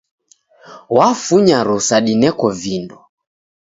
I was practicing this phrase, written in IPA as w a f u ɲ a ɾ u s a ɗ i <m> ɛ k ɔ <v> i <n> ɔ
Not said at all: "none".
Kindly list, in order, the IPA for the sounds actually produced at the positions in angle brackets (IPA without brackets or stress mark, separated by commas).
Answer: n, v, n